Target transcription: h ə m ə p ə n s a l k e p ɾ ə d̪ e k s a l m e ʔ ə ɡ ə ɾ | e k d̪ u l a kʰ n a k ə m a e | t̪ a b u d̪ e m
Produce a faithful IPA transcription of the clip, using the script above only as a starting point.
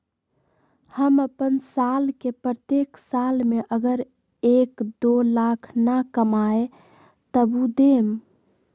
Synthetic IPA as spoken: h ə m ə p ə n s a l k e p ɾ ə t̪ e k s a l m e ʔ ə ɡ ə ɾ | e k d̪ o l a kʰ n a k ə m a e | t̪ ə b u d̪ e m